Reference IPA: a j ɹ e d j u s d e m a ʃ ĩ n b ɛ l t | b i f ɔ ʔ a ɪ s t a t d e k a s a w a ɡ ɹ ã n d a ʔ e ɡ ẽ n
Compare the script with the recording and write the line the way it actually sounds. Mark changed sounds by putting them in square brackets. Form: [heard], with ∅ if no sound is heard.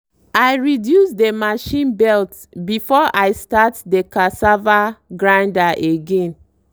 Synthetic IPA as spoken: a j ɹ [i] d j u s d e m a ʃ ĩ n b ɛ l t | b i f ɔ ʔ a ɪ s t a t d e k a s a [v] a ɡ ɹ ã n d a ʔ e ɡ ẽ n

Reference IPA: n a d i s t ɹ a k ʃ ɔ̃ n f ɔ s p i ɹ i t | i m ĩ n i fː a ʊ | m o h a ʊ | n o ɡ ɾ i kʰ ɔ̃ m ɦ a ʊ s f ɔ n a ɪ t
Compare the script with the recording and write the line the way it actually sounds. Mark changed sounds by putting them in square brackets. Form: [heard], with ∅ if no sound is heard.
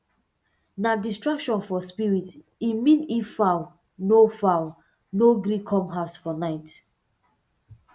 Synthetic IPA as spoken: n a d i s t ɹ a k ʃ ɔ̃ n f ɔ s p i ɹ i t | i m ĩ n i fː a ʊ | [n] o [f] a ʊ | n o ɡ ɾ i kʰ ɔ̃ m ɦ a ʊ s f ɔ n a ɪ t

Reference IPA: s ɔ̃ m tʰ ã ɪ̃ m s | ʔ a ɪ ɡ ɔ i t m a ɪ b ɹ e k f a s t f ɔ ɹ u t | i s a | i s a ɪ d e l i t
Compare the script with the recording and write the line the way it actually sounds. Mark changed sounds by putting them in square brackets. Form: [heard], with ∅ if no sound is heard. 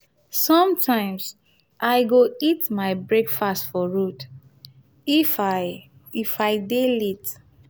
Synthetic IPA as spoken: s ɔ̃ m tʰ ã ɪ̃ m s | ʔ a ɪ ɡ [o] i t m a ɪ b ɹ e k f a s t f ɔ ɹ u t | i [f] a | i [f] a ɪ d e l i t

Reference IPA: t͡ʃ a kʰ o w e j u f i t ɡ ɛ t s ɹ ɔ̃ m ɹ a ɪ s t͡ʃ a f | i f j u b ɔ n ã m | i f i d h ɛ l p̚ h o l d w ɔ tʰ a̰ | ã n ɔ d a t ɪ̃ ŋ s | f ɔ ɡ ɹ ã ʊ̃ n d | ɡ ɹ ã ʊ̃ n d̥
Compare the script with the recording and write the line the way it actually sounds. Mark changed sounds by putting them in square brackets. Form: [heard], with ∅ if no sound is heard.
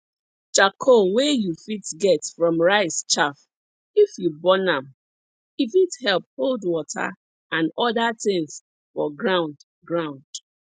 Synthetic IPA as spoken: t͡ʃ a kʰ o w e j u f i t ɡ ɛ t [f] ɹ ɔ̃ m ɹ a ɪ s t͡ʃ a f | i f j u b ɔ n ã m | i f i [t] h ɛ l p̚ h o l d w ɔ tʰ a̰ | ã n ɔ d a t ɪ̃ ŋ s | f ɔ ɡ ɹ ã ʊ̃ n d | ɡ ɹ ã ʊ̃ n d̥

